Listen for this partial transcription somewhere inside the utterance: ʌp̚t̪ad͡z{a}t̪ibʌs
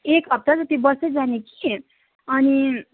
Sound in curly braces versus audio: incorrect: ʌ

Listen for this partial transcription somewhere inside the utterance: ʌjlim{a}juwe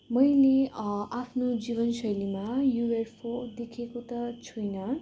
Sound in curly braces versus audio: correct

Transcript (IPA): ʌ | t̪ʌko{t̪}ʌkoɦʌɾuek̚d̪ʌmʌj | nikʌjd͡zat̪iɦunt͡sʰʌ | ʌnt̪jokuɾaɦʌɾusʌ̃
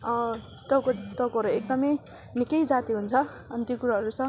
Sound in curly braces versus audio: correct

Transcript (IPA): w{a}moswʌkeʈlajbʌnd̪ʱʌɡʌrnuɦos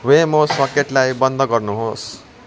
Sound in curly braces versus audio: incorrect: e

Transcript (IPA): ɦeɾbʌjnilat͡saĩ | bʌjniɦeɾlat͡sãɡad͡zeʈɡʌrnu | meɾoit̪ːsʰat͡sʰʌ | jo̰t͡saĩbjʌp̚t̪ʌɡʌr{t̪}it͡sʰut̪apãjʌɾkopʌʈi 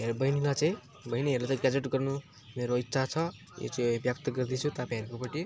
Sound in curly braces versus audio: incorrect: d̪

